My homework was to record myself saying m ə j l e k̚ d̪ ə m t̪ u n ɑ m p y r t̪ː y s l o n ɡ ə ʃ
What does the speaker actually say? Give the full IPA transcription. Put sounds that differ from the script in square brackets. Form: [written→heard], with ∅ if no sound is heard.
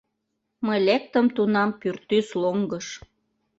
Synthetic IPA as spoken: m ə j l e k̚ [d̪→t̪] ə m t̪ u n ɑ m p y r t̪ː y s l o [n→ŋ] ɡ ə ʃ